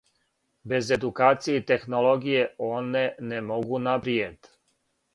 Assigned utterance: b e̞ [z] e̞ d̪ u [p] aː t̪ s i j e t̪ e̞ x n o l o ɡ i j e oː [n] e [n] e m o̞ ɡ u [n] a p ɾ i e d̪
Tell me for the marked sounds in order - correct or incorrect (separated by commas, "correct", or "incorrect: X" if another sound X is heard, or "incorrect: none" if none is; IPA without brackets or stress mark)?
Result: correct, incorrect: k, correct, correct, correct